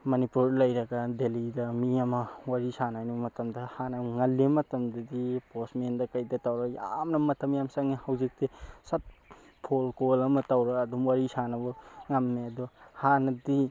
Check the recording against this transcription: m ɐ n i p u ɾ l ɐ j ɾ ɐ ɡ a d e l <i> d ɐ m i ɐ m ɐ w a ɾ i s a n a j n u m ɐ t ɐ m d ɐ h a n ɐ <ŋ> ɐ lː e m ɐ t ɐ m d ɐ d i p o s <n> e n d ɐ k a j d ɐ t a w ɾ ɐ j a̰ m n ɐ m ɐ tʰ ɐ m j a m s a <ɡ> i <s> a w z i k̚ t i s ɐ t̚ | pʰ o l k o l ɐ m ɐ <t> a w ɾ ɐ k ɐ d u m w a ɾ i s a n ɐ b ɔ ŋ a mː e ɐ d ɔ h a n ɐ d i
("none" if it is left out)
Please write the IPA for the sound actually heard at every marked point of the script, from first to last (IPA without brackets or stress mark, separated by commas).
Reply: i, ŋ, m, ŋ, h, t